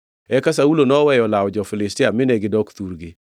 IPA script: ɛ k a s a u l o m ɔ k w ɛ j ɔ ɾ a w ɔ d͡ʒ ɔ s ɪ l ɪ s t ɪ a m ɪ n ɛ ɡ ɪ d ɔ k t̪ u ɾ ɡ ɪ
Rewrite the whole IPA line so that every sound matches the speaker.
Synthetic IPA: ɛ k a s a u l o n ɔ w ɛ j ɔ l a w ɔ d͡ʒ ɔ f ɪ l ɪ s t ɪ a m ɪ n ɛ ɡ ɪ d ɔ k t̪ u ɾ ɡ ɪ